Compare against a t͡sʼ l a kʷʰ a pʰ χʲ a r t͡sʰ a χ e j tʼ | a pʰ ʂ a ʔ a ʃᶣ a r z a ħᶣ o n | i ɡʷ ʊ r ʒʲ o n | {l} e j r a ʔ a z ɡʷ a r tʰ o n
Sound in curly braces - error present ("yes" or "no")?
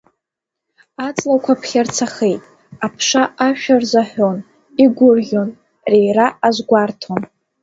yes